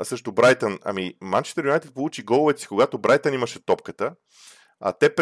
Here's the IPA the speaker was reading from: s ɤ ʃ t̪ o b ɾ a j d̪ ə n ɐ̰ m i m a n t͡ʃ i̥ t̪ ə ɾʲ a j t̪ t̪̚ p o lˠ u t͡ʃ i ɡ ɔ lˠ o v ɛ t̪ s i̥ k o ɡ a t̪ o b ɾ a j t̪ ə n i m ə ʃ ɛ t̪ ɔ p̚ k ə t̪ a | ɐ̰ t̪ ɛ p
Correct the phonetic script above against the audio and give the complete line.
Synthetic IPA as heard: s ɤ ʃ t̪ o b ɾ a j t̪ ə n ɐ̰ m i m a n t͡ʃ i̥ t̪ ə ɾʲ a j t̪ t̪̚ p o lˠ u t͡ʃ i ɡ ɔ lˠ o v ɛ t̪ s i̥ k o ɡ a t̪ o b ɾ a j t̪ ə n i m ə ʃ ɛ t̪ ɔ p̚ k ə t̪ ə | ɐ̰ t̪ ɛ p